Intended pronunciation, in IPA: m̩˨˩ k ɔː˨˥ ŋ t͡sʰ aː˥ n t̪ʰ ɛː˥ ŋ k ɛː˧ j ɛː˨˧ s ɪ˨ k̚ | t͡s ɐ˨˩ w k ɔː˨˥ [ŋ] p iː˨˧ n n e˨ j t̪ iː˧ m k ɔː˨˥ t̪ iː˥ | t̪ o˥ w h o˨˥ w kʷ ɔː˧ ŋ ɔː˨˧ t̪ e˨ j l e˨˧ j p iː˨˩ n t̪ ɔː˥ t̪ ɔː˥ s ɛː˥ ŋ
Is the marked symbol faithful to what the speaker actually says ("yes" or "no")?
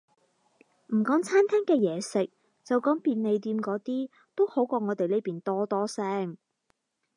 yes